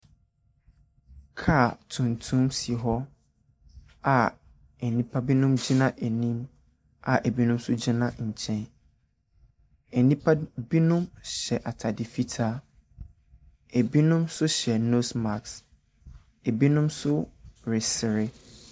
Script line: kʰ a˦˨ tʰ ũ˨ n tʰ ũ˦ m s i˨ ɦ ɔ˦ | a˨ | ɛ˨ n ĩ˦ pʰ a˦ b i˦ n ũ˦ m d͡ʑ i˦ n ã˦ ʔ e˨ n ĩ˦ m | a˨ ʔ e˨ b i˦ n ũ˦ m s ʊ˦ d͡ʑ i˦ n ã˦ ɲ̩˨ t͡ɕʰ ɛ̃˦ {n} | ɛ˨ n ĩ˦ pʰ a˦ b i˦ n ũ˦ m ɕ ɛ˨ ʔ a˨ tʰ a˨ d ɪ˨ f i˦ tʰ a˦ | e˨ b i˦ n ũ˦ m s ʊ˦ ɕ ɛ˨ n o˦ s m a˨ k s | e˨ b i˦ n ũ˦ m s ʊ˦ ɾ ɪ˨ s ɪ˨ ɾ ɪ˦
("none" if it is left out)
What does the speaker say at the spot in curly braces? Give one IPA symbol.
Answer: n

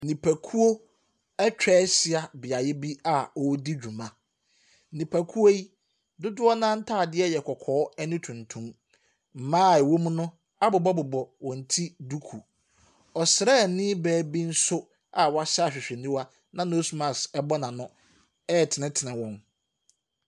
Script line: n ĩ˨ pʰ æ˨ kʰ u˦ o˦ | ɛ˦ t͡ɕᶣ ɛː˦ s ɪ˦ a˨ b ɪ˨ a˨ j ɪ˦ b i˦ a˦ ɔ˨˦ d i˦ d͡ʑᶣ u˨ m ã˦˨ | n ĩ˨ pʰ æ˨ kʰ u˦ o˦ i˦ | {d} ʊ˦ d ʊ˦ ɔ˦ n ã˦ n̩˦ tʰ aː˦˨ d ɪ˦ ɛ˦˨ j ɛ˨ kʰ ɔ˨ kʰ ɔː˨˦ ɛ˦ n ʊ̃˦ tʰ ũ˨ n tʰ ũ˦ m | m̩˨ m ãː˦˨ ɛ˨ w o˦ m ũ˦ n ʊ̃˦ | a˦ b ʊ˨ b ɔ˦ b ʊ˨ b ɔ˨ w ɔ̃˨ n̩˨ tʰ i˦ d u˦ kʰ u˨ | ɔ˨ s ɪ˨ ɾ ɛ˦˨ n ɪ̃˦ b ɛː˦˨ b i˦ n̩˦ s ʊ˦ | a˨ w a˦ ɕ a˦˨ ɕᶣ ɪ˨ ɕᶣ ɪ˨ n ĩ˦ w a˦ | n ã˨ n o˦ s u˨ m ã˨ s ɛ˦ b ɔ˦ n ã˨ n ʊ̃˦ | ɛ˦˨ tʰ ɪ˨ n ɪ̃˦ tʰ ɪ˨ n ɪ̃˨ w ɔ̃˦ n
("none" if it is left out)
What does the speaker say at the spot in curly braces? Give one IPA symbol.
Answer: d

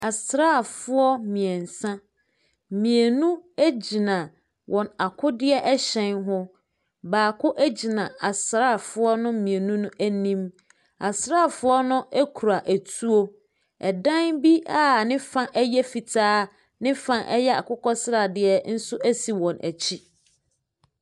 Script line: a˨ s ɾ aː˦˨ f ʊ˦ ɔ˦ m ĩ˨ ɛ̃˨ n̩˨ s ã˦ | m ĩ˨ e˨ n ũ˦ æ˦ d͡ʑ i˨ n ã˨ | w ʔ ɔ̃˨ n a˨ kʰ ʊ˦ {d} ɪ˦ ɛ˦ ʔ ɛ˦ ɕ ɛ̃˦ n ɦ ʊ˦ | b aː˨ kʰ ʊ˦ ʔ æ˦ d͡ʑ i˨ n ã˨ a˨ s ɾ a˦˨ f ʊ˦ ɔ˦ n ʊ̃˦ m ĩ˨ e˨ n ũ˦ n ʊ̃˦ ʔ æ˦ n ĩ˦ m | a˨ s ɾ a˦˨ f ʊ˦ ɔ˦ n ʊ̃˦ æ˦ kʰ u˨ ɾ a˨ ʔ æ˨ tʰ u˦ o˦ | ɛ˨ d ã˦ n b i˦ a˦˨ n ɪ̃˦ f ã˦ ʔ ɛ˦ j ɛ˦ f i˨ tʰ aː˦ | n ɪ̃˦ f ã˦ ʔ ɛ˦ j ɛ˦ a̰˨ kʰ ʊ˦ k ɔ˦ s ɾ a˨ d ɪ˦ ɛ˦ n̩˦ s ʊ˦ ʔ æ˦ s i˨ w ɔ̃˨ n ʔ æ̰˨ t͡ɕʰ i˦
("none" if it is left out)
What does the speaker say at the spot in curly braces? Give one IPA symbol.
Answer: d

